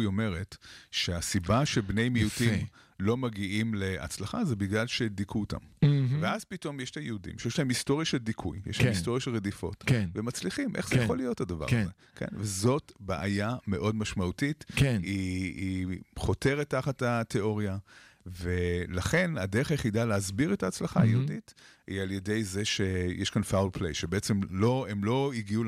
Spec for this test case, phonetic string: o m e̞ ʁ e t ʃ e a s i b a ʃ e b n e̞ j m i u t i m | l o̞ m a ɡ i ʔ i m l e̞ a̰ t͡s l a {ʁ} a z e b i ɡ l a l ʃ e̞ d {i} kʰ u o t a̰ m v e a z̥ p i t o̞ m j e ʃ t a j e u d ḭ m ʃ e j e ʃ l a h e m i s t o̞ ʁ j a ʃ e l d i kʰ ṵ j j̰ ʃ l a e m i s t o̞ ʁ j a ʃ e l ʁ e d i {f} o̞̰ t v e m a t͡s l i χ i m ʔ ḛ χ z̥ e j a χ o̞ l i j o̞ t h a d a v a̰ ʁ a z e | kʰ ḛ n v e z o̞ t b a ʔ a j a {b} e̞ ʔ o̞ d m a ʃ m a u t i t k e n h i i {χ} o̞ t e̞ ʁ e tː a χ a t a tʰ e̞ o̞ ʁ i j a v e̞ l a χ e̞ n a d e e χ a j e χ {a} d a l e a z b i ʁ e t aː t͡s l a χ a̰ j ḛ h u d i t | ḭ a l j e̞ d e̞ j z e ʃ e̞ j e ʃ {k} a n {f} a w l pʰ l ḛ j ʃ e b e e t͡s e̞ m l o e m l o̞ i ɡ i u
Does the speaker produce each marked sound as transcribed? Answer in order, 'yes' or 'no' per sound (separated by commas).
no, yes, yes, no, yes, no, yes, yes